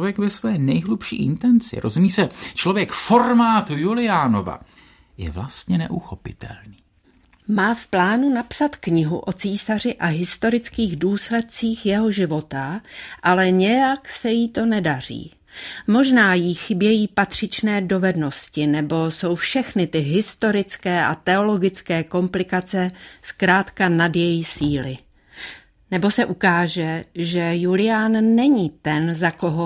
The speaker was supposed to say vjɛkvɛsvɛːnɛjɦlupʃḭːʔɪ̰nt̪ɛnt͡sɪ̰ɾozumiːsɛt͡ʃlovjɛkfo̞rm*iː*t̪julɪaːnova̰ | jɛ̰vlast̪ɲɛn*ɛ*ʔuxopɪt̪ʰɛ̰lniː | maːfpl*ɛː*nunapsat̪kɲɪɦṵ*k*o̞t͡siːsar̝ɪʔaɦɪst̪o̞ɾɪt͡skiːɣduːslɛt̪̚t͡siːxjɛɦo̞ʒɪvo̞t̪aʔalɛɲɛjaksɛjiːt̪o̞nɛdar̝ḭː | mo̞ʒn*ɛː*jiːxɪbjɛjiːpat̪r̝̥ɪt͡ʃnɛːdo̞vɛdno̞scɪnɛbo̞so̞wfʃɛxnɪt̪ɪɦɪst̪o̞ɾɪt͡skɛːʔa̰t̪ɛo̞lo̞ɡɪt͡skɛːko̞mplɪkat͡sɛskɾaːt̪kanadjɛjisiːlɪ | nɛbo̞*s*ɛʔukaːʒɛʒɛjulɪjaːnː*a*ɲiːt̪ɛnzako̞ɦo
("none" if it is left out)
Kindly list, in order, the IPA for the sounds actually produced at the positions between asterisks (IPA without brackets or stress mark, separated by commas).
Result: aː, ɛ, aː, ʔ, aː, s, ɛ